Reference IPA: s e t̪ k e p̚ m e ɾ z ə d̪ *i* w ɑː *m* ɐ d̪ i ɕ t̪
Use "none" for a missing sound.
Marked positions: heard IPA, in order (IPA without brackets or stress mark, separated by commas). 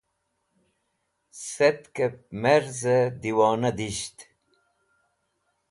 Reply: i, n